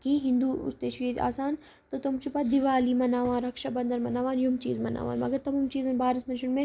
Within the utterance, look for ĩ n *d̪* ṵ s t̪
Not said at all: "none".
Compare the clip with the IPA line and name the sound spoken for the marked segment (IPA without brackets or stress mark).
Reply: d̪